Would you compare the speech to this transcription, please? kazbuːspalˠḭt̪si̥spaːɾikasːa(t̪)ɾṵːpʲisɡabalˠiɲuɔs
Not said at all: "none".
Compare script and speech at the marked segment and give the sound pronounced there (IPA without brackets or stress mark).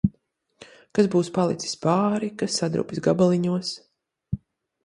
d̪